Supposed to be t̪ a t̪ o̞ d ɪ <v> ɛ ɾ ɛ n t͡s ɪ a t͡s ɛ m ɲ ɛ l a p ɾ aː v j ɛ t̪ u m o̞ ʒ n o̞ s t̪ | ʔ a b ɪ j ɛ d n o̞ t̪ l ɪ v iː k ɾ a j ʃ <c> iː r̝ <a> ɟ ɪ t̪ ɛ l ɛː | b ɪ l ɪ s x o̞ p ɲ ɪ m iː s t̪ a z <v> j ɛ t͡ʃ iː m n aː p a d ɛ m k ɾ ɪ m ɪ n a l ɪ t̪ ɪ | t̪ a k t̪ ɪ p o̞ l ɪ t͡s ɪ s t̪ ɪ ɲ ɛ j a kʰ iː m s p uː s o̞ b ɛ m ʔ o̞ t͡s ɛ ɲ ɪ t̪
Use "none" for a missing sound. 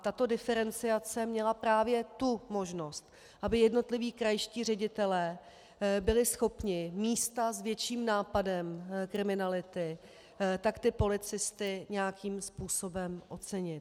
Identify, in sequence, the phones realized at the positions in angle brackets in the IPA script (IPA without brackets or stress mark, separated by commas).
f, c, ɛ, v